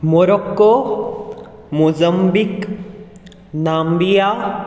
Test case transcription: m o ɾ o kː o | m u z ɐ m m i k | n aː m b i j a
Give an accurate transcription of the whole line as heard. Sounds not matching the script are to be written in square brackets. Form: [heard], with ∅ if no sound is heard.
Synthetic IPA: m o ɾ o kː o | m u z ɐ m [b] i k | n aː m b i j a